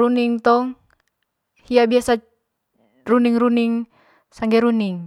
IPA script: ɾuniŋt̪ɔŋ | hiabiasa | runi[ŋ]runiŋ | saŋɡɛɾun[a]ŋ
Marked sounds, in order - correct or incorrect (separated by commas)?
correct, incorrect